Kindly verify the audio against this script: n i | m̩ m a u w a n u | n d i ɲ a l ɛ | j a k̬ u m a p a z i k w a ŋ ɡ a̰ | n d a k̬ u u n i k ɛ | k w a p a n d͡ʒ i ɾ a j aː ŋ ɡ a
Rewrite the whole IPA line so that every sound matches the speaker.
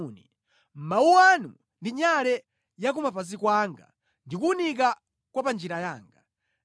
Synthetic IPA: n i | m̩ m a u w a n u | n d i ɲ a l ɛ | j a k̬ u m a p a z i k w a ŋ ɡ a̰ | n d i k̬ u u n i k a | k w a p a n d͡ʒ i ɾ a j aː ŋ ɡ a